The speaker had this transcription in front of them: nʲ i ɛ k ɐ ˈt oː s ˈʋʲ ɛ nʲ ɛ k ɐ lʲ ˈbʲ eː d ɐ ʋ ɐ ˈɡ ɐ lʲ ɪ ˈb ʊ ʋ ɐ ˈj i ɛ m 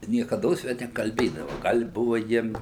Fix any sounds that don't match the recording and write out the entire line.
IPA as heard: nʲ i ɛ k ɐ ˈd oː s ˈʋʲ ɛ nʲ ɛ k ɐ lʲ ˈbʲ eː d ɐ ʋ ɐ ˈɡ ɐ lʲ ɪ ˈb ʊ ʋ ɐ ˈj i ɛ m